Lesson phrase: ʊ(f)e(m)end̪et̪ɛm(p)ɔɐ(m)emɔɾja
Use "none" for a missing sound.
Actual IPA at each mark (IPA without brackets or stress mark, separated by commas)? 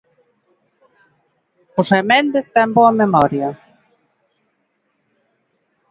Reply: s, m, b, m